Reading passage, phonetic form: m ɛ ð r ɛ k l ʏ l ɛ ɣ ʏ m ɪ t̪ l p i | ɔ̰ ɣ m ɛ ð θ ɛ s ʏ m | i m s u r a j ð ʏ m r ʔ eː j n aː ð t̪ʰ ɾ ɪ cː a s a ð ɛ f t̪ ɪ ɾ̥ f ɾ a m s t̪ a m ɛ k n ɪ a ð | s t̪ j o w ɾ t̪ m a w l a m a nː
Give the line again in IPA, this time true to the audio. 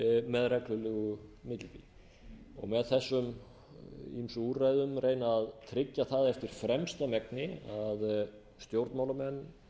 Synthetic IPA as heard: m ɛ ð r ɛ k l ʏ l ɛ ɣ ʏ m ɪ t̪ l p i | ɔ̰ ɣ m ɛ ð θ ɛ sː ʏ m | i m s u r a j ð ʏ m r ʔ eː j n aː ð t̪ʰ ɾ ɪ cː a θ a ð ɛ f t̪ ɪ ɾ̥ f ɾ ɛ m s t̪ a m ɛ k n ɪ a ð | s t̪ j o w ɾ t̪ m a w l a m ɛ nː